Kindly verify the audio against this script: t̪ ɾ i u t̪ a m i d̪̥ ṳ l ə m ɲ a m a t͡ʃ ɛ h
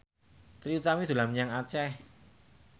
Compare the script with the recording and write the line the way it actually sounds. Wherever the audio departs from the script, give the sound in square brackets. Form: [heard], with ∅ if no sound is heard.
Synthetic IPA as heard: t̪ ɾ i u t̪ a m i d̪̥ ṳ l [a] m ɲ a [ŋ] a t͡ʃ ɛ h